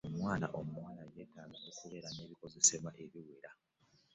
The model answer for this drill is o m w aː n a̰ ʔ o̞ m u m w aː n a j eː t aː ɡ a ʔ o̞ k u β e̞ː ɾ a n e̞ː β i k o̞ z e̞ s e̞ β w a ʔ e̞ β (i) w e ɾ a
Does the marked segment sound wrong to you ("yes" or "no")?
no